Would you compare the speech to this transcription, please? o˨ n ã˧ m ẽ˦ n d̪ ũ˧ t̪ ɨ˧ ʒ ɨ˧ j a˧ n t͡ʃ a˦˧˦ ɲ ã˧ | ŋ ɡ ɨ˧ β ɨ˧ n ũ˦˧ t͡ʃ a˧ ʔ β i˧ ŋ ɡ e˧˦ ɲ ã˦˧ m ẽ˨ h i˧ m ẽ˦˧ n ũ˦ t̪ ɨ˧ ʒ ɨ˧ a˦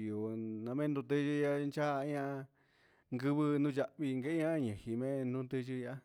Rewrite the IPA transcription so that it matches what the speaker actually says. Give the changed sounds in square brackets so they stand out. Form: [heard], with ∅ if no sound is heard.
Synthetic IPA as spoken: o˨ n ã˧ m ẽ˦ n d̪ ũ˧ t̪ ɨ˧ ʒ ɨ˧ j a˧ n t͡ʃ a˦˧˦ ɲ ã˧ | ŋ ɡ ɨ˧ β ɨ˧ n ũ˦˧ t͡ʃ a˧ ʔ β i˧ ŋ ɡ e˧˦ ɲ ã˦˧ [ɲ] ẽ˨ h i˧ m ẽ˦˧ n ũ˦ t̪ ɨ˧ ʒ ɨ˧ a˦